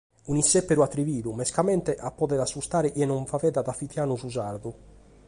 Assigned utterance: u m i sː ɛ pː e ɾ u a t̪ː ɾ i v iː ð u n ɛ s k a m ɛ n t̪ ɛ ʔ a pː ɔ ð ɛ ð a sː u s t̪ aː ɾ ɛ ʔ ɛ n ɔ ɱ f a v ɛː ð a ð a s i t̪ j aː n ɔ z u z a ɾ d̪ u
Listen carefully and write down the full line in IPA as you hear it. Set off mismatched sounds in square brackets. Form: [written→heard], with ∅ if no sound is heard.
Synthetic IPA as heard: u [m→n] i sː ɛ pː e ɾ u a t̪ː ɾ i v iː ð u [n→m] ɛ s k a m ɛ n t̪ ɛ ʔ a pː ɔ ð ɛ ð a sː u s t̪ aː ɾ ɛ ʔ ɛ n ɔ ɱ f a v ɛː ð a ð a [s→f] i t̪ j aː n [ɔ→u] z u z a ɾ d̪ u